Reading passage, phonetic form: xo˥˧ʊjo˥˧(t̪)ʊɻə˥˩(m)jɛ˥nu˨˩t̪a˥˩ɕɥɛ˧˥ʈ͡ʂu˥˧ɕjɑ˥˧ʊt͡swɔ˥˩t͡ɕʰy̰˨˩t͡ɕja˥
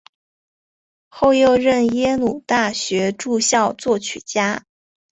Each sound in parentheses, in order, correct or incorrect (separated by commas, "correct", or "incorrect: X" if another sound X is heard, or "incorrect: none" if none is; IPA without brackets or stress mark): incorrect: none, incorrect: n